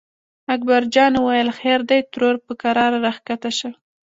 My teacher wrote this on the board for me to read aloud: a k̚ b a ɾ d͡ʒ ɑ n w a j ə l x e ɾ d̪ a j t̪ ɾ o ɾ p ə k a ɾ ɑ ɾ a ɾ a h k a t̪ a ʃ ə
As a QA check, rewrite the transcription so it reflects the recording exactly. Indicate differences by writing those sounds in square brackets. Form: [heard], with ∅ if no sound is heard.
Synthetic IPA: a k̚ b a ɾ d͡ʒ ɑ n w a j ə l x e ɾ d̪ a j t̪ ɾ o ɾ p ə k a ɾ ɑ ɾ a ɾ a [x] k a t̪ a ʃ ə